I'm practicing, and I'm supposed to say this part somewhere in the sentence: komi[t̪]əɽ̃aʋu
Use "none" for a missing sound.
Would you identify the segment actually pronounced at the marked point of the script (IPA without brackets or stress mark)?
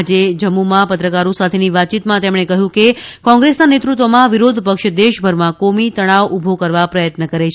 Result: t̪